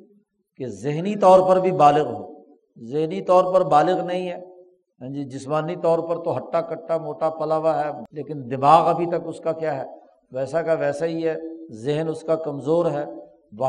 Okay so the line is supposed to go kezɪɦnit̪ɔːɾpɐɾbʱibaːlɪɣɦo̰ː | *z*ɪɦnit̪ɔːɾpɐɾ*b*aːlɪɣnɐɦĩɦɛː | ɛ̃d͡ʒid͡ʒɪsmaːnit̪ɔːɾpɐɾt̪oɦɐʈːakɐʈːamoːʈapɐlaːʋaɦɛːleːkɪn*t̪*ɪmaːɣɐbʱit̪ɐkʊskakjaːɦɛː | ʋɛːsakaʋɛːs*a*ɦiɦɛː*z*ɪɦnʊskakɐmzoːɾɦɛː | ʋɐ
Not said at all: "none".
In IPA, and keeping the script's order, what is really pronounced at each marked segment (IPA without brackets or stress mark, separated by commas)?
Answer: z, b, d̪, a, z